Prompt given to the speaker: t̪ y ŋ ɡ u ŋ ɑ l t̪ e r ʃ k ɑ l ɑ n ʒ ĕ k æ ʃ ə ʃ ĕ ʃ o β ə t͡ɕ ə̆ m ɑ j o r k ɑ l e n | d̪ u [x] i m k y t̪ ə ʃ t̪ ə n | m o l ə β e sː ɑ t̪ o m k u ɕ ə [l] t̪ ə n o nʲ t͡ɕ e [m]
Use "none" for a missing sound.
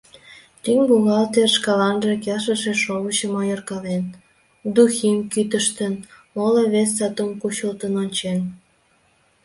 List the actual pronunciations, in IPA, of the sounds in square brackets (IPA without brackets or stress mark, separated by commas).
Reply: x, l, n